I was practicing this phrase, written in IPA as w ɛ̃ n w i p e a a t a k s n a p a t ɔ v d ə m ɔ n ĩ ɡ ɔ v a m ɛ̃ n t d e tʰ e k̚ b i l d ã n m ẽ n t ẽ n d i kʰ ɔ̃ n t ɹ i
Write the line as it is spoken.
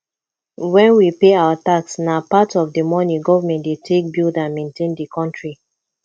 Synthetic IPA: w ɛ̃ n w i p e a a t a k s n a p a t ɔ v d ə m ɔ n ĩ ɡ ɔ v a m ɛ̃ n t d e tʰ e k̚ b i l d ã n m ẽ n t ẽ n d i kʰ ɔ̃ n t ɹ i